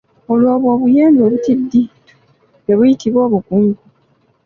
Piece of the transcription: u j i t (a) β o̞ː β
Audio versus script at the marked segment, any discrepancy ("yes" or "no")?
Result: yes